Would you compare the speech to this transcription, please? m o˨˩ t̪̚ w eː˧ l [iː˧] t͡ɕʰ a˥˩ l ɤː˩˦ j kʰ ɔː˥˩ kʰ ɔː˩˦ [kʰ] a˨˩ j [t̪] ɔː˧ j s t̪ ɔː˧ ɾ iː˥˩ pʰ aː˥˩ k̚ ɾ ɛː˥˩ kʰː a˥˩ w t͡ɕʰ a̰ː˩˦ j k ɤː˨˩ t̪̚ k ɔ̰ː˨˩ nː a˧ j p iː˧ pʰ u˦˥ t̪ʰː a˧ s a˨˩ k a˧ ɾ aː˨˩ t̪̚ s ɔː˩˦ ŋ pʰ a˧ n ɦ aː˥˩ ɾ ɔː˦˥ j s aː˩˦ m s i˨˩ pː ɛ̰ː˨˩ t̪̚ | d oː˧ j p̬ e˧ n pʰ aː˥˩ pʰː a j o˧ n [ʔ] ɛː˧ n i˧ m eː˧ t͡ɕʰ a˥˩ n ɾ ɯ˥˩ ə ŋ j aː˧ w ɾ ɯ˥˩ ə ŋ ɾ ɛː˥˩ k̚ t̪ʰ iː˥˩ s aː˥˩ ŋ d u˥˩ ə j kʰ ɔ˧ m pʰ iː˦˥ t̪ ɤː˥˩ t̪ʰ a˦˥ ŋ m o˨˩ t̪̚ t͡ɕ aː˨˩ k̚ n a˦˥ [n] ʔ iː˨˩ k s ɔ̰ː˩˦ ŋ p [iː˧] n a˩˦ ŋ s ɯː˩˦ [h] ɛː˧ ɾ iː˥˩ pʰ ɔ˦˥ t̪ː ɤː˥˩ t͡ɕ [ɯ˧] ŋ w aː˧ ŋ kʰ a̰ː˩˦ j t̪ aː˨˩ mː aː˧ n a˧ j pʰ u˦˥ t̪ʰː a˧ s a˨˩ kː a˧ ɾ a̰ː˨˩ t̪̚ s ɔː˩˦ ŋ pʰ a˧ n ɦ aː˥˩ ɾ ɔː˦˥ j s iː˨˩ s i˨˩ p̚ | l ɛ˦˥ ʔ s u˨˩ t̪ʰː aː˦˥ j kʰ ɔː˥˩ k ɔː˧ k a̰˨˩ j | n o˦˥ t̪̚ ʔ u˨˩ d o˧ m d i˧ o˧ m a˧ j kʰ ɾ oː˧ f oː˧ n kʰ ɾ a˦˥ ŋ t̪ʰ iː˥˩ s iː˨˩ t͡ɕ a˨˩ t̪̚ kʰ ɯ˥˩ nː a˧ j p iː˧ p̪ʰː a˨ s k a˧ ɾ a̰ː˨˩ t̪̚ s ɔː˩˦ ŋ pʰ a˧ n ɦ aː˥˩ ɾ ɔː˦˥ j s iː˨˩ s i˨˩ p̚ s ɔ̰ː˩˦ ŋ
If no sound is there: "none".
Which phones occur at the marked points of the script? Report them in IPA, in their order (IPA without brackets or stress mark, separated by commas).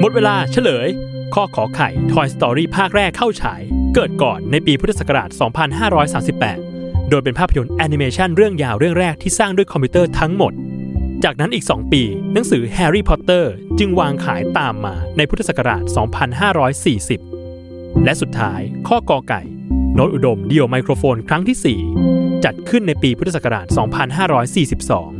aː˧, kʰ, t̪ʰ, ʔ, n, iː˧, h, ɯ˧